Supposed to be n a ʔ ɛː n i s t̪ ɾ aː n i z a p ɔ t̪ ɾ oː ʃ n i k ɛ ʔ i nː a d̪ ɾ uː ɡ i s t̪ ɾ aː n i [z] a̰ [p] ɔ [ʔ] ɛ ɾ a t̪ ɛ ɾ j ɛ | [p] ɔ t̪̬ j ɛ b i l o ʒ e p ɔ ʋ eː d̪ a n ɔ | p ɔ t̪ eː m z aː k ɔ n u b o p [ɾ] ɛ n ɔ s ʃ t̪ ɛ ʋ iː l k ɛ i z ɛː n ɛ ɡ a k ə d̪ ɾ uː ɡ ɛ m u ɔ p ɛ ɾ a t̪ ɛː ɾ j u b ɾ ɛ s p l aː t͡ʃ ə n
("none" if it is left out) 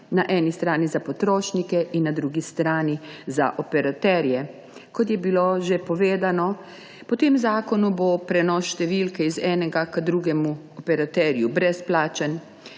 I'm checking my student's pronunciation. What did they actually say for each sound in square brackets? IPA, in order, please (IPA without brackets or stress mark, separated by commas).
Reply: z, ʔ, p, k, ɾ